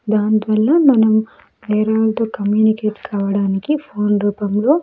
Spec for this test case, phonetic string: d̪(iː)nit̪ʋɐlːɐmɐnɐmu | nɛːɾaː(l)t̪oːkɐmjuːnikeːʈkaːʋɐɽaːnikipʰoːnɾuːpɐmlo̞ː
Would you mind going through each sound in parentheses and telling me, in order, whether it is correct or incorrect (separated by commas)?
incorrect, correct